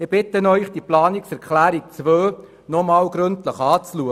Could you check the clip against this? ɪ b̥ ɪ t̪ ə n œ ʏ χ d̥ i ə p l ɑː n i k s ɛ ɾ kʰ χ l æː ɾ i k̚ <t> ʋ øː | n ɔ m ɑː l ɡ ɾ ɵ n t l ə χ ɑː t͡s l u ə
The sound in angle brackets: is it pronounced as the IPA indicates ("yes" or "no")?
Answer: no